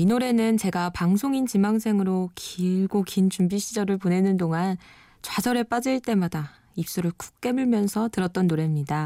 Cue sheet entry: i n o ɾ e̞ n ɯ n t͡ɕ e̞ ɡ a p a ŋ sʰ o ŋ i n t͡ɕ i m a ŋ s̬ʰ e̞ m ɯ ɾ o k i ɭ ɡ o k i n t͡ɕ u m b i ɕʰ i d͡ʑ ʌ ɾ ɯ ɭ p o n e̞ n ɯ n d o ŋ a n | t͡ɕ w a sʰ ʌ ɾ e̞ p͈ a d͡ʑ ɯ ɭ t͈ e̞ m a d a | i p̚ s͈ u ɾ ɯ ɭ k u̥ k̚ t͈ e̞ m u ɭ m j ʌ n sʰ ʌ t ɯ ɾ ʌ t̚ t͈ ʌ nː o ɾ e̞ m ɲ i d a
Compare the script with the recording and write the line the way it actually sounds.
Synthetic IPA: i n o ɾ e̞ n ɯ n t͡ɕ e̞ ɡ a p a ŋ sʰ o ŋ i n t͡ɕ i m a ŋ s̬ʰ e̞ ŋ ɯ ɾ o k i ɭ ɡ o k i n t͡ɕ u m b i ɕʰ i d͡ʑ ʌ ɾ ɯ ɭ p o n e̞ n ɯ n d o ŋ a n | t͡ɕ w a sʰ ʌ ɾ e̞ p͈ a d͡ʑ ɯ ɭ t͈ e̞ m a d a | i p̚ s͈ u ɾ ɯ ɭ k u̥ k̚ k͈ e̞ m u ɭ m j ʌ n sʰ ʌ t ɯ ɾ ʌ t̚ t͈ ʌ nː o ɾ e̞ m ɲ i d a